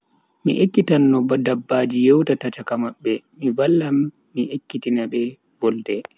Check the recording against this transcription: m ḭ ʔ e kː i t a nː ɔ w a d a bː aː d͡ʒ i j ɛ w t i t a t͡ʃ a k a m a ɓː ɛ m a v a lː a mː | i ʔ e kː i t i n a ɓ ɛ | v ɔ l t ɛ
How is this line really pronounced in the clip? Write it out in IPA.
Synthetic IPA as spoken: m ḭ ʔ e kː i t a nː ɔ b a d a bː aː d͡ʒ i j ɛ w t a t a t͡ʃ a k a m a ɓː ɛ m i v a lː a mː | i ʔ e kː i t i n a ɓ ɛ | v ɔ l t ɛ